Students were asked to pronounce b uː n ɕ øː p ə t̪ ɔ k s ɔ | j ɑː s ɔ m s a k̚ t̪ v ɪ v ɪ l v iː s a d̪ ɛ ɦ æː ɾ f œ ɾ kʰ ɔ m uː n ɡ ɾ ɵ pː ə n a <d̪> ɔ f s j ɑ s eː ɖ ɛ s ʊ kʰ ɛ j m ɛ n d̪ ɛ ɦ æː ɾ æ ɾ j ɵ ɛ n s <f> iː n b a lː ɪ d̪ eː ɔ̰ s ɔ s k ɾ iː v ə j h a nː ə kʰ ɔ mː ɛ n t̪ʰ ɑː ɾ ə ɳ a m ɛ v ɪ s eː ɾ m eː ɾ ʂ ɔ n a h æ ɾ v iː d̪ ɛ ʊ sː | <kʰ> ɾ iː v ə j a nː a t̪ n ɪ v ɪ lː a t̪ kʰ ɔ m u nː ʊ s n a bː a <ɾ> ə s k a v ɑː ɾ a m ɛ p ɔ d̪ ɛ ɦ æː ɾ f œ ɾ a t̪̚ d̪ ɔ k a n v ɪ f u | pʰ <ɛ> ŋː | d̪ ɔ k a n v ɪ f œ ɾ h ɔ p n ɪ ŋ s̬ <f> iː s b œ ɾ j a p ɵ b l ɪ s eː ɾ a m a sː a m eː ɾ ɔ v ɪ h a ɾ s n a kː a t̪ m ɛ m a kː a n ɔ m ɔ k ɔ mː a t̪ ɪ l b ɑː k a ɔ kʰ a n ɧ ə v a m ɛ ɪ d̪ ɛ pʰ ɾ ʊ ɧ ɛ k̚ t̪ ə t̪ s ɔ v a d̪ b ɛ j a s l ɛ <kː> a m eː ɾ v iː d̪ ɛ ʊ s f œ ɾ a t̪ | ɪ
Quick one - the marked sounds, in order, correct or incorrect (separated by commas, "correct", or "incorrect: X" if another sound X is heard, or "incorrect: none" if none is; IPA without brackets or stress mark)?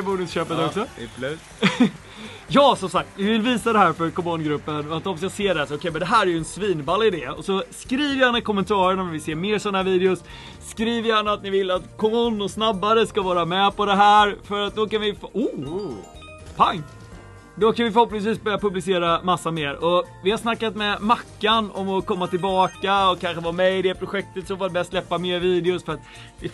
incorrect: t̪, incorrect: v, incorrect: k, correct, incorrect: a, incorrect: v, incorrect: pː